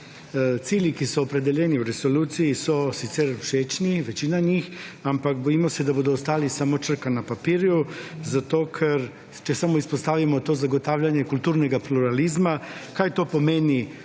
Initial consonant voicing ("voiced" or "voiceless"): voiceless